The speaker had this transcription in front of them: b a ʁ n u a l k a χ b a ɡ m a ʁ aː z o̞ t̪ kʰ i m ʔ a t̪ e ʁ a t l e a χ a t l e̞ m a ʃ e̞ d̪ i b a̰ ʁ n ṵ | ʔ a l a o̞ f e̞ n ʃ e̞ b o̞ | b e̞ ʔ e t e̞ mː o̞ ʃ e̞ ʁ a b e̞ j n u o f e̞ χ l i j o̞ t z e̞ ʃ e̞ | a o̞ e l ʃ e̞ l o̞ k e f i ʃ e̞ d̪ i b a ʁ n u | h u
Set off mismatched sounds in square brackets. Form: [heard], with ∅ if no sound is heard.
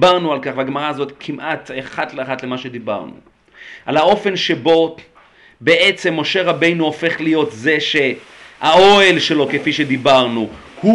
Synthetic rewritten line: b a ʁ n u a l k a χ [v] a ɡ m a ʁ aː z o̞ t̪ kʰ i m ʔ a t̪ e [χ] a t l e a χ a t l e̞ m a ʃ e̞ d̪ i b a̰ ʁ n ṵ | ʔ a l a o̞ f e̞ n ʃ e̞ b o̞ | b e̞ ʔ e [t͡s] e̞ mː o̞ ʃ e̞ ʁ a b e̞ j n u o f e̞ χ l i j o̞ t z e̞ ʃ e̞ | a o̞ e l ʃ e̞ l o̞ k e f i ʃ e̞ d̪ i b a ʁ n u | h u